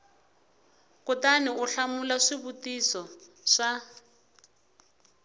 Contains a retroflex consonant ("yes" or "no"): yes